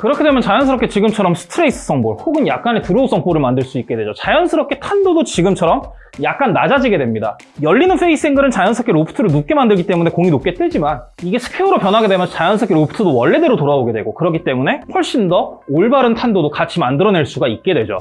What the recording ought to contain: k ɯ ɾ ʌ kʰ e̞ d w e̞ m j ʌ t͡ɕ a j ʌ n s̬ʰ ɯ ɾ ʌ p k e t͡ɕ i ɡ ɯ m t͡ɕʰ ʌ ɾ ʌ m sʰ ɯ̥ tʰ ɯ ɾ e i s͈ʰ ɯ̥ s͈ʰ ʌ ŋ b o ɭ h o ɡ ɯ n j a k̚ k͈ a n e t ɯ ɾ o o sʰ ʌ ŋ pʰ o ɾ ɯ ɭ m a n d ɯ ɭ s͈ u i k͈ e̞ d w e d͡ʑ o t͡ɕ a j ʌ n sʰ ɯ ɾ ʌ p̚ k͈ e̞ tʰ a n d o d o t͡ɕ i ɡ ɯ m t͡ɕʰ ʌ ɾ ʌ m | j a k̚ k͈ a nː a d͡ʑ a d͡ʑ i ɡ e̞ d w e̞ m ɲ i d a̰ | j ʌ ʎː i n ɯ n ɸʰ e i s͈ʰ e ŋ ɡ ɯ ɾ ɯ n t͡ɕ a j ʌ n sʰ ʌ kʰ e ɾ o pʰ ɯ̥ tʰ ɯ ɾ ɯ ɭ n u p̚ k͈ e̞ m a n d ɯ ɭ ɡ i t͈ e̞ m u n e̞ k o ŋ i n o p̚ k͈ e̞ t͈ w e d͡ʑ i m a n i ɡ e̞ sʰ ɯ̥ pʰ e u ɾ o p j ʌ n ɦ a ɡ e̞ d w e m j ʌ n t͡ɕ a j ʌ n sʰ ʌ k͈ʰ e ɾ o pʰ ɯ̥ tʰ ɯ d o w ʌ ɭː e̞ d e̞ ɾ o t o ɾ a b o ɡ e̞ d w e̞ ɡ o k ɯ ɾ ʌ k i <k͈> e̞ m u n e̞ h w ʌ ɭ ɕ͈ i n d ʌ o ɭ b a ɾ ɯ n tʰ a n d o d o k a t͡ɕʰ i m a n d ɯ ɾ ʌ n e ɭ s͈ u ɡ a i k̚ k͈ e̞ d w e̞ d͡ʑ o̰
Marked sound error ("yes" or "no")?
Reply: yes